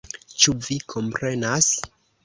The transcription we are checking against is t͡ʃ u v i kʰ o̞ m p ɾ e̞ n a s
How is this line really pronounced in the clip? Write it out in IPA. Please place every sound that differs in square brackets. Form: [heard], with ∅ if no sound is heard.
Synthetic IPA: t͡ʃ u v i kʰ o̞ m p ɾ e̞ n a s